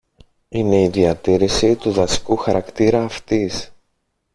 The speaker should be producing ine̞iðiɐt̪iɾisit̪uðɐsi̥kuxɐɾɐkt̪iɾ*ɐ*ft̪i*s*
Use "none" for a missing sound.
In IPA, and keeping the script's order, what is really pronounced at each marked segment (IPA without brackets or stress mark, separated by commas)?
ɐː, s